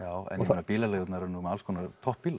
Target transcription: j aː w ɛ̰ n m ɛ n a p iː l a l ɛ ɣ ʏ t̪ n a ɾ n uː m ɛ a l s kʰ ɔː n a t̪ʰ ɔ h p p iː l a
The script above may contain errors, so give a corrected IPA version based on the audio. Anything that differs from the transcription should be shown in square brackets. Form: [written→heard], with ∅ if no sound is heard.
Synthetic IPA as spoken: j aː w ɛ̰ n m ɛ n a p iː l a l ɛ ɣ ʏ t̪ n a ɾ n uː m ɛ a l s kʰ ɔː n a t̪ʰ ɔ h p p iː l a

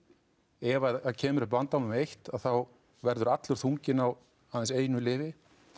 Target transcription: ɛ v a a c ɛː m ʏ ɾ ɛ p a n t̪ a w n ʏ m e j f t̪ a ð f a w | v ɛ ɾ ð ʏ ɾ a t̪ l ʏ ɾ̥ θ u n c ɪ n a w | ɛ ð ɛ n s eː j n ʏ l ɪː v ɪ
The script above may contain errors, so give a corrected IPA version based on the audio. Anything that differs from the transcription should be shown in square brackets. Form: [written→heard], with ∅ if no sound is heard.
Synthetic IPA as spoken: ɛ v a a [c→cʰ] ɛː m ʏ ɾ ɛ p a n t̪ a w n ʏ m e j [f→h] t̪ a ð [f→θ] a w | v ɛ ɾ ð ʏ ɾ a t̪ l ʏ ɾ̥ θ u [n→ɲ] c ɪ n a w | [ɛ→a] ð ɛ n s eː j n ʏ l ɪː v ɪ

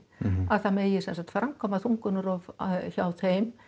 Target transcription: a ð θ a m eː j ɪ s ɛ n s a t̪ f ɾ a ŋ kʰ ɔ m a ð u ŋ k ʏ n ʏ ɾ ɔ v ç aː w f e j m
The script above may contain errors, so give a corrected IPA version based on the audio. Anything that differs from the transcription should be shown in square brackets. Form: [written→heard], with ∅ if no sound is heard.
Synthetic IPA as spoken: a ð θ a m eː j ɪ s ɛ n s a t̪ f ɾ a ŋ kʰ ɔ m a [ð→θ] u ŋ k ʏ n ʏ ɾ ɔ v ç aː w [f→θ] e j m

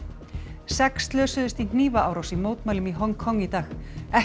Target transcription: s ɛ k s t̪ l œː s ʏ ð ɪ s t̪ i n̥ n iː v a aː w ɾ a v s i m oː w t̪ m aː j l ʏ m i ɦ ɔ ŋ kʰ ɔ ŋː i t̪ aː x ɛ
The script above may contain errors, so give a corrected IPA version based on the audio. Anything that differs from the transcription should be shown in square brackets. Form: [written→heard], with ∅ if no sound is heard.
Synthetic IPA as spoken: s ɛ k s t̪ l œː s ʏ ð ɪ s t̪ i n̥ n iː v a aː w ɾ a [v→w] s i m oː w t̪ m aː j l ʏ m i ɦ ɔ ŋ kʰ ɔ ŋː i t̪ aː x ɛ

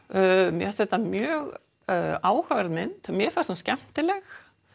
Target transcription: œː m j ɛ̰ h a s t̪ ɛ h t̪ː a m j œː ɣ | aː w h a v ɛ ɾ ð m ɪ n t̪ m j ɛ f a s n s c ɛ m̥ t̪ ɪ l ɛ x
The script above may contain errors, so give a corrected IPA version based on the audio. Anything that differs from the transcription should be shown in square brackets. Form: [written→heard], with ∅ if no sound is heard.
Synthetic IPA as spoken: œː m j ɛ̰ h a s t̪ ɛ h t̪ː a m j œː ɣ | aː w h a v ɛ ɾ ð m ɪ n t̪ m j ɛ f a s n s c ɛ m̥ t̪ ɪ l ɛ x

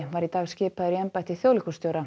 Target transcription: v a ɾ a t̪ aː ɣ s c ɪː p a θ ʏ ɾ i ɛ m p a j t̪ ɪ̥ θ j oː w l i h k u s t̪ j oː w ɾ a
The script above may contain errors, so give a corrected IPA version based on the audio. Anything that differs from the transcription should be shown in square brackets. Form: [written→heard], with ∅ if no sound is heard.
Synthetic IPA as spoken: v a ɾ [a→i] t̪ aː ɣ s c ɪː p a [θ→ð] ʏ ɾ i ɛ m p a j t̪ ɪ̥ θ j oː w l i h k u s t̪ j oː w ɾ a

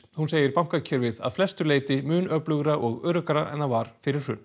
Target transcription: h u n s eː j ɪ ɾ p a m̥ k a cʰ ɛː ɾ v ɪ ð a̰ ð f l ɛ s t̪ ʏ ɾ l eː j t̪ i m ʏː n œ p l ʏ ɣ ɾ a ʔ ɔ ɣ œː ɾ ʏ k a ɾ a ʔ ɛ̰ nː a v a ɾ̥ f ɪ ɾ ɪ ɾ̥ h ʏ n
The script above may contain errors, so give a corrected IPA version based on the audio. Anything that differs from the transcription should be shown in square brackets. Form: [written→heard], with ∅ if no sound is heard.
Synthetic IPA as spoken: h u n s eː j ɪ ɾ p a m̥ k a cʰ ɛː ɾ v ɪ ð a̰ ð f l ɛ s t̪ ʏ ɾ l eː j t̪ [i→ɪ] m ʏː n œ p l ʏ ɣ ɾ a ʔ ɔ ɣ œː ɾ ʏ k a ɾ a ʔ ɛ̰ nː a v a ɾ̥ f ɪ ɾ ɪ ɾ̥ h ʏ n

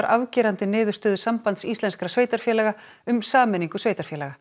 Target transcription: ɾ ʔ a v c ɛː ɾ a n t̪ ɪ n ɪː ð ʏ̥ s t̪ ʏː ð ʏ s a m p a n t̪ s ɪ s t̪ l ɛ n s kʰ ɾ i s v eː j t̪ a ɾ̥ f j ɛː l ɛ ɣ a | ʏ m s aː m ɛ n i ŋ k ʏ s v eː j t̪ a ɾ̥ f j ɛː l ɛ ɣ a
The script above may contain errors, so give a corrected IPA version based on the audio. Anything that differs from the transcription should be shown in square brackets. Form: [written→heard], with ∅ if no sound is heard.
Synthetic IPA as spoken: ɾ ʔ a v c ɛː ɾ a n t̪ ɪ n ɪː ð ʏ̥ s t̪ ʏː ð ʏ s a m p a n t̪ s [ɪ→i] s t̪ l ɛ n s [kʰ→k] ɾ [i→a] s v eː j t̪ a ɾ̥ f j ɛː l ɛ ɣ a | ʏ m s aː m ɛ n i ŋ k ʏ s v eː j t̪ a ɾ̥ f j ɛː l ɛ ɣ a

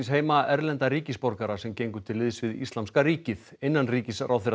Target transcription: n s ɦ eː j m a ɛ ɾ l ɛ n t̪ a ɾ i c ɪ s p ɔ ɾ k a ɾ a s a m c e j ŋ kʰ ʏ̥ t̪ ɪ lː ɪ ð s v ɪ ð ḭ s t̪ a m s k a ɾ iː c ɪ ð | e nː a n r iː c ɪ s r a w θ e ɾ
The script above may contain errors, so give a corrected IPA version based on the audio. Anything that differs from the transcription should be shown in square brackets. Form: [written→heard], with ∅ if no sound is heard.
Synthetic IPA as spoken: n s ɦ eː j m a ɛ ɾ l ɛ n t̪ a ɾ [i→iː] c ɪ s p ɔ ɾ k a ɾ a s [a→ɛ] m c e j ŋ [kʰ→k] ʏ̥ [t̪→t̪ʰ] ɪ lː ɪ ð s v ɪ ð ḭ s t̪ a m s k a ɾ iː c ɪ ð | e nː a n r iː c ɪ s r a w θ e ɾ

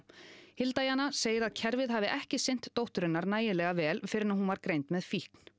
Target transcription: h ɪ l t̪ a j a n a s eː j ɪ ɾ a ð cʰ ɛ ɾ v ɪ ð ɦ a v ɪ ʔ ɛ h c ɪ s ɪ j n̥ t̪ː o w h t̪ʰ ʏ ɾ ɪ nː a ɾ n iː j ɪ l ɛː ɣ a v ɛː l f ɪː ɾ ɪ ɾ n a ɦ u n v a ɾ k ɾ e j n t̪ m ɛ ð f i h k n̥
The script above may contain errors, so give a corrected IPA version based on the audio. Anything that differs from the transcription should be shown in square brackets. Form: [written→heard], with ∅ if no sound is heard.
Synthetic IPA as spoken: h ɪ l t̪ a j a n a s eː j ɪ ɾ a ð cʰ ɛ ɾ v ɪ ð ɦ a v ɪ ʔ ɛ h c ɪ s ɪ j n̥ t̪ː o w h [t̪ʰ→t̪] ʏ ɾ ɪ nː a ɾ n [iː→aː] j ɪ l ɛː ɣ a v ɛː l f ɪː ɾ ɪ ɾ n a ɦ u n v a ɾ k ɾ e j n t̪ m ɛ ð f i h k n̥

